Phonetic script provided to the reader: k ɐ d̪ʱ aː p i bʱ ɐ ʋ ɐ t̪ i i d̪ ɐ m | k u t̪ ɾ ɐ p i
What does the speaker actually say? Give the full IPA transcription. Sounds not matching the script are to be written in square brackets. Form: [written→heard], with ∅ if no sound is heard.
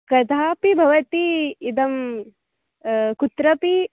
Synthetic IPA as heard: k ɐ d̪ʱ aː p i bʱ ɐ ʋ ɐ t̪ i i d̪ ɐ m | k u t̪ ɾ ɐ p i